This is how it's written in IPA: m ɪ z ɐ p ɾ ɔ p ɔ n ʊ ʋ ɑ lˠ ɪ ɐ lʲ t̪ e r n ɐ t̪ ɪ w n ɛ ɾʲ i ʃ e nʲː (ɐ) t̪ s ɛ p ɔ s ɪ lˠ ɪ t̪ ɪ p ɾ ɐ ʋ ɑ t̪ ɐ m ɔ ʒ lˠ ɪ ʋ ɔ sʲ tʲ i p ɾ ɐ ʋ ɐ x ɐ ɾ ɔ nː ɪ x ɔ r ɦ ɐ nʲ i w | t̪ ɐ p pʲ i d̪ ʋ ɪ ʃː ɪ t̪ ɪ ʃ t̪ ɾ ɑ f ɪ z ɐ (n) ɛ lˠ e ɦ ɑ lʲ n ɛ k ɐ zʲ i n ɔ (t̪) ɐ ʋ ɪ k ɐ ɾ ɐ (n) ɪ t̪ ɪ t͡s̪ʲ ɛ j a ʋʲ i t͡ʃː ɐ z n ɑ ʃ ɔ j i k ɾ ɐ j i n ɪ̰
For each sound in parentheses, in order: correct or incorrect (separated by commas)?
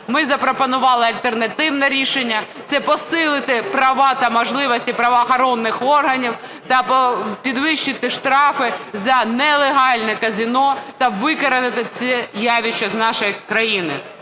correct, correct, correct, correct